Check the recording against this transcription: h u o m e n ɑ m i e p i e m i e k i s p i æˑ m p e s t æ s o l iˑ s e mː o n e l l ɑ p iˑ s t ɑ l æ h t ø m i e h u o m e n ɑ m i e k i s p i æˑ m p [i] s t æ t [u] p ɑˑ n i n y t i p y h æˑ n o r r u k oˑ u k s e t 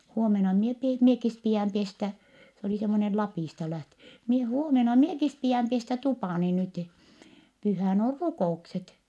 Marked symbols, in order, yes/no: no, yes

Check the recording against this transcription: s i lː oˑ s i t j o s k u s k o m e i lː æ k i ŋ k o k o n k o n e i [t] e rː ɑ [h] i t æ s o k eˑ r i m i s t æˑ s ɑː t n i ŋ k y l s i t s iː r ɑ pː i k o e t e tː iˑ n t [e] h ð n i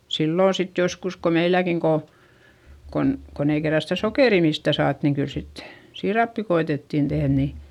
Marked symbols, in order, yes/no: no, no, yes

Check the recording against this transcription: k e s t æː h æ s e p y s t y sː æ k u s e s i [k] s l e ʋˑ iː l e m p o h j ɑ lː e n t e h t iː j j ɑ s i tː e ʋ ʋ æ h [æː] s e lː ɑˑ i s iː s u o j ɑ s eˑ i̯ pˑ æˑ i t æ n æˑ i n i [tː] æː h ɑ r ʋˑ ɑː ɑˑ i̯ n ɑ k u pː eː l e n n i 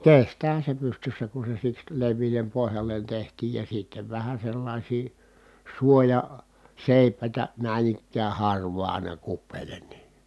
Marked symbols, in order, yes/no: yes, no, no

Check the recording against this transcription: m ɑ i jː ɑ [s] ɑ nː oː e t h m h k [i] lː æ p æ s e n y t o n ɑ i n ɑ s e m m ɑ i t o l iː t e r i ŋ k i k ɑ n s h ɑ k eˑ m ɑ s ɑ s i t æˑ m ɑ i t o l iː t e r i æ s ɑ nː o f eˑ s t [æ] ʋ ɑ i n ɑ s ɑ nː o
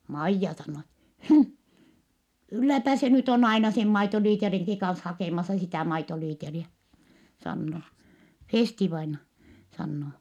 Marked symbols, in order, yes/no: yes, no, no

